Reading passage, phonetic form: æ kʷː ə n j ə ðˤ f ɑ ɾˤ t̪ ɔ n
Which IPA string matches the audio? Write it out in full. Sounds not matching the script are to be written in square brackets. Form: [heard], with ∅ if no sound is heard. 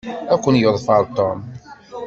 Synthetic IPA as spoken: æ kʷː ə n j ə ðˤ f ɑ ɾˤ t̪ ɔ [m]